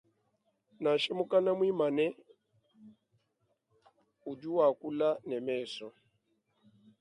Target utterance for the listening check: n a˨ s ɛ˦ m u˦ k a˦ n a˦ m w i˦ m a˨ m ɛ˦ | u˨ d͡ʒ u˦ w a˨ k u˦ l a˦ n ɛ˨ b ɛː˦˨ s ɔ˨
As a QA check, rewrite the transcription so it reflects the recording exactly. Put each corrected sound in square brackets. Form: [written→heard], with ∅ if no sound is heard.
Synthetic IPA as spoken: n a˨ [s→ʃ] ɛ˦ m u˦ k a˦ n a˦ m w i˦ m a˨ [m→n] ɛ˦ | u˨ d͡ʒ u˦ w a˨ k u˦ l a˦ n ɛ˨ [b→m] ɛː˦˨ s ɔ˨